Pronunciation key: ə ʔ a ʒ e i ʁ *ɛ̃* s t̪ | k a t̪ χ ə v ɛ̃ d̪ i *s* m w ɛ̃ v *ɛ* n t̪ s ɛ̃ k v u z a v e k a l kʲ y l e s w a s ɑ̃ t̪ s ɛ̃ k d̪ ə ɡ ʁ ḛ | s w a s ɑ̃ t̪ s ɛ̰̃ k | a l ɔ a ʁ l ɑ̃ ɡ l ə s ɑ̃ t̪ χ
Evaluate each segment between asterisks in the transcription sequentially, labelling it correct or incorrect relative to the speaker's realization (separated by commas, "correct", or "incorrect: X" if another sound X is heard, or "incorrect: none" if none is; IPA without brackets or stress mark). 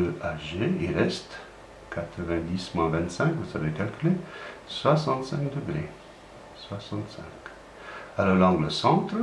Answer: incorrect: ɛ, correct, incorrect: ɛ̃